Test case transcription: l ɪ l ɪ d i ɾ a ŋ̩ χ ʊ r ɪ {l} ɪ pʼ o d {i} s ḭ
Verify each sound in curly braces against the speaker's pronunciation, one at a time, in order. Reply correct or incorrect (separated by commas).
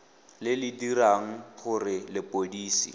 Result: correct, incorrect